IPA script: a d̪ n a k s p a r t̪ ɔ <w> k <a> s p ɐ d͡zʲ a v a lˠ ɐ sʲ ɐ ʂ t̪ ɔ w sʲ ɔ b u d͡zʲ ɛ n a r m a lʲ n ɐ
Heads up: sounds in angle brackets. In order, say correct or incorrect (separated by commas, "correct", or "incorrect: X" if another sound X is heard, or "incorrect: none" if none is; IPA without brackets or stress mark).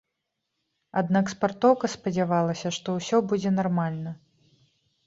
correct, incorrect: ɐ